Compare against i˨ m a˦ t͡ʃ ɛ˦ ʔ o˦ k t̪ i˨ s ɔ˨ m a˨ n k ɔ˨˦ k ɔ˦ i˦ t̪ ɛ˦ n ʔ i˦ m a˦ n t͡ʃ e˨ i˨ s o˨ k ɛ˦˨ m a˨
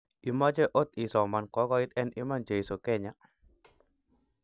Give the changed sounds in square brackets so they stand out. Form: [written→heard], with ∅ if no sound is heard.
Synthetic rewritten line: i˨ m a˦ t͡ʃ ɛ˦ ʔ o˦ [k→∅] t̪ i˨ s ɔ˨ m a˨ n k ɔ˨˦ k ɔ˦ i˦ t̪ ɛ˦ n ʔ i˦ m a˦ n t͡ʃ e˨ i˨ s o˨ k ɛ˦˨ [m→ɲ] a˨